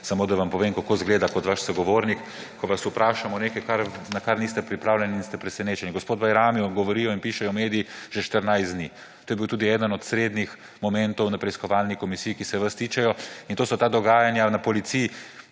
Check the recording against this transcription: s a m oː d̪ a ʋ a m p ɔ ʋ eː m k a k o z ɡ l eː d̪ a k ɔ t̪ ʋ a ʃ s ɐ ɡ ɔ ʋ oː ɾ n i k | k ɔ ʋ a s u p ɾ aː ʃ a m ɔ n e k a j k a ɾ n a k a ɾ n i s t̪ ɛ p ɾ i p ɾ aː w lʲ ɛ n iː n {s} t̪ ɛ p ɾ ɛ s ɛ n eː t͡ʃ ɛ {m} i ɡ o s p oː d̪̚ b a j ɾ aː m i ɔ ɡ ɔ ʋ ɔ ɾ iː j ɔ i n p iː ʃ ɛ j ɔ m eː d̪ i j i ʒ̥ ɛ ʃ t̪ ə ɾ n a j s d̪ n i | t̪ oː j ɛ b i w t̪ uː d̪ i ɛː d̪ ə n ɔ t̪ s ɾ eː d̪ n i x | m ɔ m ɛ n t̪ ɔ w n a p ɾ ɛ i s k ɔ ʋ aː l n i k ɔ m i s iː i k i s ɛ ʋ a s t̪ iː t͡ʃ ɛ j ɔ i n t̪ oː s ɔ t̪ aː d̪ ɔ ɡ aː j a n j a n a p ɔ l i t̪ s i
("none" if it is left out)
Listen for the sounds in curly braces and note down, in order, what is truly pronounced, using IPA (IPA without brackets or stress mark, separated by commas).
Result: s, n